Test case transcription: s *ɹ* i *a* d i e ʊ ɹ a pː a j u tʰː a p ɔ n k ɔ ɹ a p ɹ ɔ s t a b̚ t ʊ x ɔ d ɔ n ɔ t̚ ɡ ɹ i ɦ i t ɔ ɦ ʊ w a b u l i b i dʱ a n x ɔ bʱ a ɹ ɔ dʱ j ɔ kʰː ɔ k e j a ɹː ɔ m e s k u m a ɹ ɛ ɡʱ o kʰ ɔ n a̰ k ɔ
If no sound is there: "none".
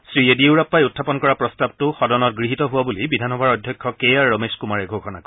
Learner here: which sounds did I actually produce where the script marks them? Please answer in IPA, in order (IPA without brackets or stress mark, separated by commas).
ɹ, e